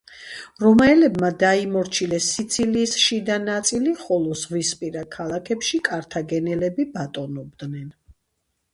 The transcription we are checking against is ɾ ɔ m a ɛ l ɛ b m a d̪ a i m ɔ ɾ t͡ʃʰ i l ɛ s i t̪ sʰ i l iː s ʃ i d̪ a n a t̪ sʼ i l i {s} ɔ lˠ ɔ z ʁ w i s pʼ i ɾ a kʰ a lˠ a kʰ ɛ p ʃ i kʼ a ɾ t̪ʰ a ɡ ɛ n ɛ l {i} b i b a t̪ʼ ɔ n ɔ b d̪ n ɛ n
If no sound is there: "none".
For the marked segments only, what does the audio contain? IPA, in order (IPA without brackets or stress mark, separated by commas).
χ, ɛ